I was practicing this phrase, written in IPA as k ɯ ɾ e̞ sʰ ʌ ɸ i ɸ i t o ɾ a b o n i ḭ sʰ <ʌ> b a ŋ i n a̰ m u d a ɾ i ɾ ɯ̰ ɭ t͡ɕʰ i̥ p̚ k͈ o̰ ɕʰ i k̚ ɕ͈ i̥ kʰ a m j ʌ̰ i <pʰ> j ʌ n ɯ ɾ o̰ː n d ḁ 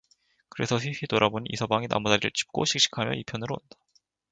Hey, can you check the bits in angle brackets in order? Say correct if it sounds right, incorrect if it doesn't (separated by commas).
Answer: correct, correct